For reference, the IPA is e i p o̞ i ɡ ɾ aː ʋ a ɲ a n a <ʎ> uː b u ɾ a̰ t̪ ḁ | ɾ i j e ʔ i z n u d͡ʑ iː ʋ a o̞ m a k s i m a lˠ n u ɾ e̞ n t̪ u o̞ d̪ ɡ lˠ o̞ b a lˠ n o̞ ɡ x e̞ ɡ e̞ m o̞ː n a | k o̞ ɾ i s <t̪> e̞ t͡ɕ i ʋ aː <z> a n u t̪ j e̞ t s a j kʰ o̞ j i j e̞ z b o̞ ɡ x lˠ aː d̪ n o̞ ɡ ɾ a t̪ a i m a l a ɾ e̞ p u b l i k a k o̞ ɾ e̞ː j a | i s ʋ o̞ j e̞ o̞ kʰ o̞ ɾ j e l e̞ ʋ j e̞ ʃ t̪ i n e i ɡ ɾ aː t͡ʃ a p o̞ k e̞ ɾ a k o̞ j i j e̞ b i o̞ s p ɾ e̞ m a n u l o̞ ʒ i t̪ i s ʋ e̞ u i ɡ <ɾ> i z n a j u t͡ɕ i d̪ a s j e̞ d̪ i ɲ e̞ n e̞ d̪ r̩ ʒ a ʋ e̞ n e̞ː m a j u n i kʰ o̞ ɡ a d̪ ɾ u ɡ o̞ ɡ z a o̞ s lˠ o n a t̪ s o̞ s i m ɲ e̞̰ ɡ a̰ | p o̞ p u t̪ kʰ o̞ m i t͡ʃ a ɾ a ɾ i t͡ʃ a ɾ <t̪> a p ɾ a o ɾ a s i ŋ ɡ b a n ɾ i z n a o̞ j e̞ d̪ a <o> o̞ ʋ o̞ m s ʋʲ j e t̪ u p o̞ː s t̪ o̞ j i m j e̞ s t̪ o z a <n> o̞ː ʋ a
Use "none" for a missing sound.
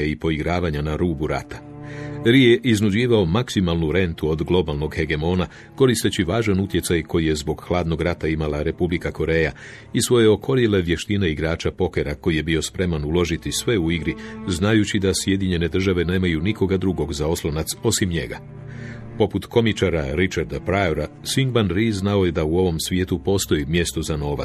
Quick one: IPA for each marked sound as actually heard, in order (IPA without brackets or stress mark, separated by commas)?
ɾ, t̪, ʒ, ɾ, d̪, u, n